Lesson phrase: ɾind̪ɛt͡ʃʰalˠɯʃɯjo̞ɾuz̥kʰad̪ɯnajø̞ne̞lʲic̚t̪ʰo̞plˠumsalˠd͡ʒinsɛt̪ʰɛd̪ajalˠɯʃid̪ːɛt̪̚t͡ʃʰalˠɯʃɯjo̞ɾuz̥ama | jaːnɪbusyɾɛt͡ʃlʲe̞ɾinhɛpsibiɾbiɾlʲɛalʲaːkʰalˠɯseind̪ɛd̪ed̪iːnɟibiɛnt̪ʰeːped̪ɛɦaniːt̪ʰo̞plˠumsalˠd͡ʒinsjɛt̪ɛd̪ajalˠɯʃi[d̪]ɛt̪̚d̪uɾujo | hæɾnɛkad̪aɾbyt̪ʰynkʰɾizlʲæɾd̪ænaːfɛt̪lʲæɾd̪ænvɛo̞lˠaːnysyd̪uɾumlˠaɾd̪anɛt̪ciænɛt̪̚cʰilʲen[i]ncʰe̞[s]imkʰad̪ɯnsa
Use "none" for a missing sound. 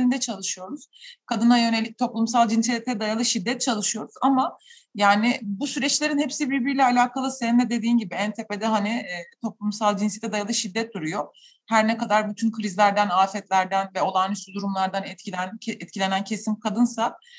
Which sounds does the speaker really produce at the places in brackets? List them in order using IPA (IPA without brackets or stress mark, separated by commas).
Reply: d̪ː, æ, s